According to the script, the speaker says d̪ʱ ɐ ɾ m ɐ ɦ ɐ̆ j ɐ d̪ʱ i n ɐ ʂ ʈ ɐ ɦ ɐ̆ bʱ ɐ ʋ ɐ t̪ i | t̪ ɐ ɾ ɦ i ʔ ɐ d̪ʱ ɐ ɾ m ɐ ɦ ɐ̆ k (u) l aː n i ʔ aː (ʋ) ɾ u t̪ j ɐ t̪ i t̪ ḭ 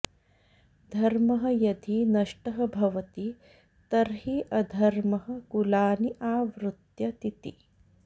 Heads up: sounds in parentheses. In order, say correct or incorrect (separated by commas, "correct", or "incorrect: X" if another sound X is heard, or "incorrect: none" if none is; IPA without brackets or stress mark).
correct, correct